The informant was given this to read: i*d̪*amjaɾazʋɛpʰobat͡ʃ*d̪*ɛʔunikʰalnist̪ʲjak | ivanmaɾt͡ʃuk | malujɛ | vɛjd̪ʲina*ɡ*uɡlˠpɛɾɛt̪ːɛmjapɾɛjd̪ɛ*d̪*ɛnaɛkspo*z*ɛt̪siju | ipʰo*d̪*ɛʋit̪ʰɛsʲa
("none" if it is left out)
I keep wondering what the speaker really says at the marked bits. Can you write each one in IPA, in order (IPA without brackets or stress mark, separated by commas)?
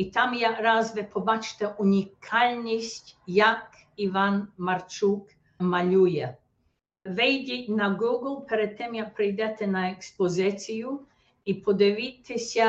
t̪, t̪, ɡ, t̪, z, d̪